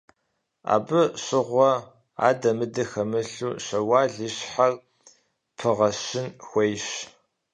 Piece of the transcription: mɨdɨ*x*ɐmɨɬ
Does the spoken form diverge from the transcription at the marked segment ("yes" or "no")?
no